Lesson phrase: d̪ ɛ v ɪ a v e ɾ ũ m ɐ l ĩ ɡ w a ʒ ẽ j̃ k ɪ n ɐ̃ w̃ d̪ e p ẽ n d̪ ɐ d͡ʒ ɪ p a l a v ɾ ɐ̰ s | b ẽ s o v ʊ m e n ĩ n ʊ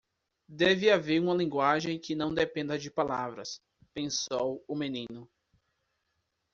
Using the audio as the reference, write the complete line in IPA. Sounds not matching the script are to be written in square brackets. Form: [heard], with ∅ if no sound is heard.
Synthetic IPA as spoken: d̪ ɛ v ɪ a v e ɾ ũ m ɐ l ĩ ɡ w a ʒ ẽ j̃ k ɪ n ɐ̃ w̃ d̪ e p ẽ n d̪ ɐ d͡ʒ ɪ p a l a v ɾ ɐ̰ s | [p] ẽ s o [w] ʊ m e n ĩ n ʊ